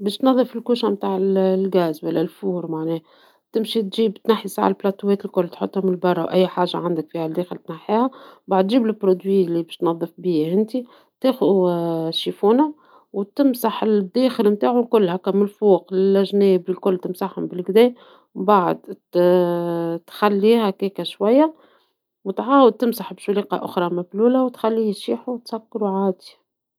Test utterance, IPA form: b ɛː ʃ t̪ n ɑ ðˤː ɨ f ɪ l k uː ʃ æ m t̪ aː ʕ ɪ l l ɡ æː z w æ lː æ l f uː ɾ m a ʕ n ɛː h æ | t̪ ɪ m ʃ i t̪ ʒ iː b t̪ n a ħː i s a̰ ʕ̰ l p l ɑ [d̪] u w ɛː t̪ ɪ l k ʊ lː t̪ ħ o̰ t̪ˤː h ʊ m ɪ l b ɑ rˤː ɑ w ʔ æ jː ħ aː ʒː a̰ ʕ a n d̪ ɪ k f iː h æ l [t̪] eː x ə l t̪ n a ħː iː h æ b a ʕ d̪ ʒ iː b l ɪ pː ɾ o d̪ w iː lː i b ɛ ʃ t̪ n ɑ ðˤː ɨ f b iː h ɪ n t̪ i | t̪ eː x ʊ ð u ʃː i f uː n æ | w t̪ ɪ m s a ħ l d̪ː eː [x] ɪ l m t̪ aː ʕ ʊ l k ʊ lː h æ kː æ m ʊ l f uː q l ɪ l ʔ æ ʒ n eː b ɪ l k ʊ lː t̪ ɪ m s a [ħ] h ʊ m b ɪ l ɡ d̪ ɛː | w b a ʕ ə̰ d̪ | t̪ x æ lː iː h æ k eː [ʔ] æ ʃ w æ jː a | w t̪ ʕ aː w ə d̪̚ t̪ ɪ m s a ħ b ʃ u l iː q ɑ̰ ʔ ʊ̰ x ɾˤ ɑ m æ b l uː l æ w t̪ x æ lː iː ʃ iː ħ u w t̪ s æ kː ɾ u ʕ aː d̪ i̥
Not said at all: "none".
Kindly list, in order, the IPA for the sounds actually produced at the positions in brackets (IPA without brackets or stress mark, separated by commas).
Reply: t̪, d̪, x, ħ, k